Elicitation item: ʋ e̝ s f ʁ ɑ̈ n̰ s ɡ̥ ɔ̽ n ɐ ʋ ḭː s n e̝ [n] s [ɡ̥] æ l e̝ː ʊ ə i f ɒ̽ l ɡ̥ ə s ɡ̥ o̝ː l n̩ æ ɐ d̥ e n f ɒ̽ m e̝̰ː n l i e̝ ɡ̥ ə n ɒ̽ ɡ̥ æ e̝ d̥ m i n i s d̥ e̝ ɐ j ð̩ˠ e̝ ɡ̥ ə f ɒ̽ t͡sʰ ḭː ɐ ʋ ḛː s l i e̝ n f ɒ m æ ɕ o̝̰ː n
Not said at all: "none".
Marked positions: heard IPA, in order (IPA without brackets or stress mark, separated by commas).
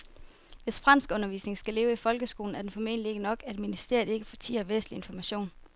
ŋ, ɡ̥